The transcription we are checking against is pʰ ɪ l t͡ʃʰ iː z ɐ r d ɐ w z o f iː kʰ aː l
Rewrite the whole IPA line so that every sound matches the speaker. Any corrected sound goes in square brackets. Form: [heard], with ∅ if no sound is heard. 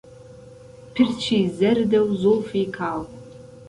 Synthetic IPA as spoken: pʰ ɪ [r] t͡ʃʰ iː z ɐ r d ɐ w z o f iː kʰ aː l